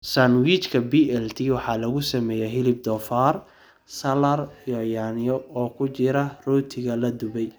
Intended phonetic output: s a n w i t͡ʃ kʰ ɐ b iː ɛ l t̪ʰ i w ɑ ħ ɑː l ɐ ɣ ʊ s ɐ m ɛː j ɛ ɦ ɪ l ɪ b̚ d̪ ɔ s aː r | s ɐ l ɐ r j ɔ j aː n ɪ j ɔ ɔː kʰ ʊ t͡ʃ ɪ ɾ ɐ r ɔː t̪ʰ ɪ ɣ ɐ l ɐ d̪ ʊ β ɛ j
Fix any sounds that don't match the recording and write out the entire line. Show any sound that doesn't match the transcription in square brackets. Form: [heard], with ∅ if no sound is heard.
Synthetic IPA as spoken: s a n w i t͡ʃ kʰ ɐ b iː ɛ l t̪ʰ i w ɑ ħ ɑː l ɐ ɣ ʊ s ɐ m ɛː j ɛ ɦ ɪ l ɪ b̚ d̪ ɔ [f] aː r | s ɐ l ɐ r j ɔ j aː n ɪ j ɔ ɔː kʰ ʊ t͡ʃ ɪ ɾ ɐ r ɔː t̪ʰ ɪ ɣ ɐ l ɐ d̪ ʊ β ɛ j